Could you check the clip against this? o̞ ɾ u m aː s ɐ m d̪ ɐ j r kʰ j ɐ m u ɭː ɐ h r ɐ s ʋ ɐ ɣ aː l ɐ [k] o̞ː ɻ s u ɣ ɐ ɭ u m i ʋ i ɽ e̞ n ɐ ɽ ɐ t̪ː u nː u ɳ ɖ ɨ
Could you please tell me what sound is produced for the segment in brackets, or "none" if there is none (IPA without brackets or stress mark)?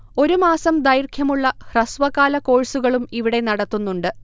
k